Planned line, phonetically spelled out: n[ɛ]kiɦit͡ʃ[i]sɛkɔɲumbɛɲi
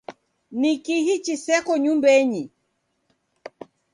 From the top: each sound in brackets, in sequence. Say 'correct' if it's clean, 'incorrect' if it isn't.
incorrect: i, correct

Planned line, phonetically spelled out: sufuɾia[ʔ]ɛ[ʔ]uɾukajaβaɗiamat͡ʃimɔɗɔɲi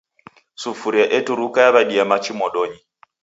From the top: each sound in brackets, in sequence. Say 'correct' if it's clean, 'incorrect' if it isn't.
correct, incorrect: t

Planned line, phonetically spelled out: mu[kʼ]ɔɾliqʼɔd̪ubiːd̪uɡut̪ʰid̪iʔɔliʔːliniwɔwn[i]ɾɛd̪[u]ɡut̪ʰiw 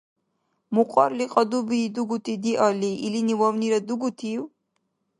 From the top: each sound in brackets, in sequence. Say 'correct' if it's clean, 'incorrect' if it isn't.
incorrect: qʼ, correct, correct

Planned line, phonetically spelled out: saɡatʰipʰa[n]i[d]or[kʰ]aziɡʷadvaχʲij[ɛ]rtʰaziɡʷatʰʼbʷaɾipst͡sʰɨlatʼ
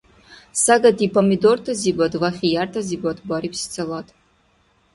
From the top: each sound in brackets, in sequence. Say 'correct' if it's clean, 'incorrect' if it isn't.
incorrect: m, correct, incorrect: tʰ, incorrect: a

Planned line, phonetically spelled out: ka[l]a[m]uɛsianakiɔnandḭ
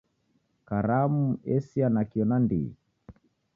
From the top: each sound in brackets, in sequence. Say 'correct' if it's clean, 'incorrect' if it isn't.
incorrect: ɾ, correct

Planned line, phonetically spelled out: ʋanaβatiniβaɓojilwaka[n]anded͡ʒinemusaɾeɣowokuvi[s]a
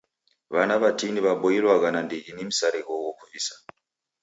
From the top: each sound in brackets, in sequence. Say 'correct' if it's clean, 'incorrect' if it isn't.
correct, correct

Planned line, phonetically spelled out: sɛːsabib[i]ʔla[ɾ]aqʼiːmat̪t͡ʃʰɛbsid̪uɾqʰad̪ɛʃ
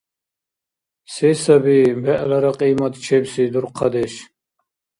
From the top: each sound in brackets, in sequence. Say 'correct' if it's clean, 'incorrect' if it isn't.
incorrect: ɛ, correct

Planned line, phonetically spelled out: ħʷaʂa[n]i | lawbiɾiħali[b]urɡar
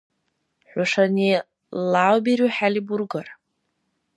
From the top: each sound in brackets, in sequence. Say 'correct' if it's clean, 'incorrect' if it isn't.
correct, correct

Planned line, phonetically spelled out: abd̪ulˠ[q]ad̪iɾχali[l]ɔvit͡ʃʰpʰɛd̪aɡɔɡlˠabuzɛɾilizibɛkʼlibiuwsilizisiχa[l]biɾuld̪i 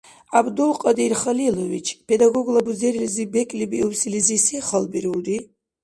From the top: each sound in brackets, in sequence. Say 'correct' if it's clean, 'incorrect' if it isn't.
incorrect: qʼ, correct, correct

